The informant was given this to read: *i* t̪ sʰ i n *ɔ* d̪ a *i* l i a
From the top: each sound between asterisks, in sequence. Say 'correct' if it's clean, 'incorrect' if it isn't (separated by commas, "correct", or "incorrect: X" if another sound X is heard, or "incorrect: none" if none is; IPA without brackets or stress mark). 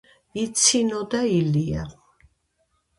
correct, correct, correct